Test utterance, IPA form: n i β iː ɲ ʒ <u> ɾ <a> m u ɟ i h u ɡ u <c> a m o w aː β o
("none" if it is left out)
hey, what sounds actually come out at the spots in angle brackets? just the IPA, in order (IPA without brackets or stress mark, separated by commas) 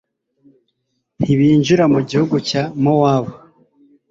u, a, c